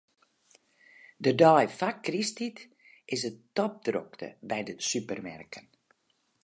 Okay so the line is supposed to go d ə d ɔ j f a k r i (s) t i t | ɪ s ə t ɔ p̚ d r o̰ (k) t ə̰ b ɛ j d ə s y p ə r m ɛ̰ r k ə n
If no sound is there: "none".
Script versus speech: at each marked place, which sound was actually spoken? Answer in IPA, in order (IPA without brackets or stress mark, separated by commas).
s, k